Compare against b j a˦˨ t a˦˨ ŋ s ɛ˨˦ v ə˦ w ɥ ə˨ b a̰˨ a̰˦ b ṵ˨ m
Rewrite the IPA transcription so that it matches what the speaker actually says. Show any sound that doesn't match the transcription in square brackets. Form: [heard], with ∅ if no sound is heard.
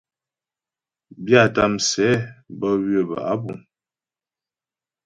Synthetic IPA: b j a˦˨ t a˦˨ [m] s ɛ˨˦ [b] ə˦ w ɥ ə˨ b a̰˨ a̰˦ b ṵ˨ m